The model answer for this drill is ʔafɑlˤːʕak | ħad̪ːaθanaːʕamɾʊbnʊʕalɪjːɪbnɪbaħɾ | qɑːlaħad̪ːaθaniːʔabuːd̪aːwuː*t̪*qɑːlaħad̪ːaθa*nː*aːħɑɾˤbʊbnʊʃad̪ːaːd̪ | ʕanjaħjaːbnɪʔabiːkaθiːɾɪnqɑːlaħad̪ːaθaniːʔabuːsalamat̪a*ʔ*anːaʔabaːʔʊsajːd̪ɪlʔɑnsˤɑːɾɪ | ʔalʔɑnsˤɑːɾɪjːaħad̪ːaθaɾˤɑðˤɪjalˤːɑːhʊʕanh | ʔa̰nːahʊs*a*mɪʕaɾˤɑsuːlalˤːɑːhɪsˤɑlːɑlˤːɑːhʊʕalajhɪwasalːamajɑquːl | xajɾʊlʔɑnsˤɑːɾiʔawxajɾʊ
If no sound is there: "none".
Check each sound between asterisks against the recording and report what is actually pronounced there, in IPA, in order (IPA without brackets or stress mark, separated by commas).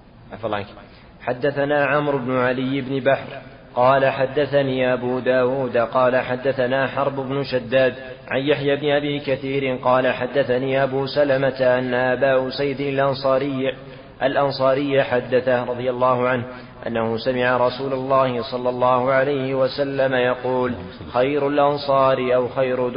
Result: d̪, n, ʔ, a